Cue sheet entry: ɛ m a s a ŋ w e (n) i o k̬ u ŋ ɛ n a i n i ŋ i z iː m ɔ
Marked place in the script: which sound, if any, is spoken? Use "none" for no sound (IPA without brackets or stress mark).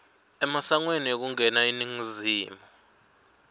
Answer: n